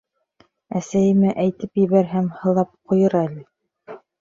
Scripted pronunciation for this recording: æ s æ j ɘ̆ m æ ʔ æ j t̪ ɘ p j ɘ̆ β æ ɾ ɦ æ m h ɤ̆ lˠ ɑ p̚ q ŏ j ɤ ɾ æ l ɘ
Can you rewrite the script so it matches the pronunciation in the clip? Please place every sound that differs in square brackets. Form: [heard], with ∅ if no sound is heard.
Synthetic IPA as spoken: æ s æ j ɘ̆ m æ ʔ æ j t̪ ɘ p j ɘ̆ β æ ɾ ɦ æ m h ɤ̆ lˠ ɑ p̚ q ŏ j ɤ ɾ æ l ɘ